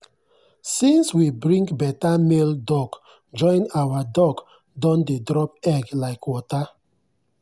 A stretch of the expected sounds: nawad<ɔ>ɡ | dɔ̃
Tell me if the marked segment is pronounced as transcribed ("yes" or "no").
yes